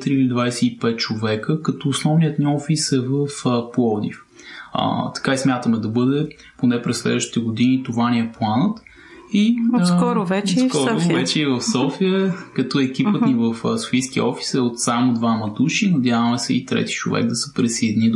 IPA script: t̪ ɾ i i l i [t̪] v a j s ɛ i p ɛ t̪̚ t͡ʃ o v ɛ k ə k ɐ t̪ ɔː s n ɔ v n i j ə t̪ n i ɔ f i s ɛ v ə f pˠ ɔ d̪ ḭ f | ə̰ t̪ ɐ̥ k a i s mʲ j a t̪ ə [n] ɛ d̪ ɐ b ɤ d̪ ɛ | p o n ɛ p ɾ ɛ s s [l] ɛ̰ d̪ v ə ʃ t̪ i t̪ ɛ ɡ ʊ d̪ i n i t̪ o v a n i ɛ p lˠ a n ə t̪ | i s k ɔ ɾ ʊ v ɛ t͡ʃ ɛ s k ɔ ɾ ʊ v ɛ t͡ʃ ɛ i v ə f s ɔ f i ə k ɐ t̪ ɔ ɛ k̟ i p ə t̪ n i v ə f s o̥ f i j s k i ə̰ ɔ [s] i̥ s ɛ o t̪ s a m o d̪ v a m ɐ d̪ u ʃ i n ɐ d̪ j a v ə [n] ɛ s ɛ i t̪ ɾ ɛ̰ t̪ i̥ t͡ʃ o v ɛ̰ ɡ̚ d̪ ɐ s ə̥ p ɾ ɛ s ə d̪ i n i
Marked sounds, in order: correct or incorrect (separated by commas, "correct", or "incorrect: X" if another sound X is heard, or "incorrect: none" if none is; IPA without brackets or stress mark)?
incorrect: d̪, incorrect: m, correct, incorrect: f, incorrect: m